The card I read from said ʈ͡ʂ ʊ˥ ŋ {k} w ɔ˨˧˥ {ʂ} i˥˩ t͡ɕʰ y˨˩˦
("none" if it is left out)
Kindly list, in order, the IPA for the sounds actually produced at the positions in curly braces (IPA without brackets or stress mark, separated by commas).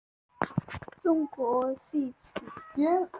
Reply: k, ɕ